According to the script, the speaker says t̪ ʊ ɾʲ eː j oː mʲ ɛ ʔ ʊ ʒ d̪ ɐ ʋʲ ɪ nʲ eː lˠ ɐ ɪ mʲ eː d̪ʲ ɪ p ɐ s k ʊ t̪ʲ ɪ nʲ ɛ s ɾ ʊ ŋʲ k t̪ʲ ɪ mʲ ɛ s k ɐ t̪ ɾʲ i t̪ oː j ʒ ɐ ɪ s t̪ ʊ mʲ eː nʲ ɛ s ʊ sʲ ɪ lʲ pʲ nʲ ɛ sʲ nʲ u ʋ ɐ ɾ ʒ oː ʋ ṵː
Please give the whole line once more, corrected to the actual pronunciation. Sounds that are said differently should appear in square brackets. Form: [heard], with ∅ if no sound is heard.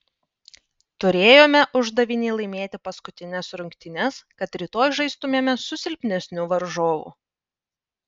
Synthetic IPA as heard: t̪ ʊ ɾʲ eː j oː mʲ ɛ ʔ ʊ ʒ d̪ ɐ ʋʲ ɪ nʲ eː lˠ ɐ ɪ mʲ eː [t̪ʲ] ɪ p ɐ s k ʊ t̪ʲ ɪ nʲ ɛ s ɾ ʊ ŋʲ k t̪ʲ ɪ [nʲ] ɛ s k ɐ t̪ ɾʲ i t̪ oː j ʒ ɐ ɪ s t̪ ʊ mʲ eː [mʲ] ɛ s ʊ sʲ ɪ lʲ pʲ nʲ ɛ sʲ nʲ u ʋ ɐ ɾ ʒ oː ʋ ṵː